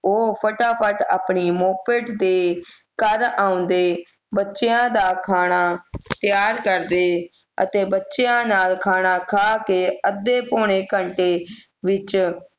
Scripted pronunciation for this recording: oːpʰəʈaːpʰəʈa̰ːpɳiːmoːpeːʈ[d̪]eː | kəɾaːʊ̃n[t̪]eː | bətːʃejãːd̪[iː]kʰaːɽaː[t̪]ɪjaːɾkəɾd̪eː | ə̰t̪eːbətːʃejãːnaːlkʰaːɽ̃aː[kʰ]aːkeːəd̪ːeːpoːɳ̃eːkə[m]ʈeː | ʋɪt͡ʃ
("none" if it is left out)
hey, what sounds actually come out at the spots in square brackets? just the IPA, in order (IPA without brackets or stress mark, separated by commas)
d̪, d̪, aː, t̪, kʰ, ɳ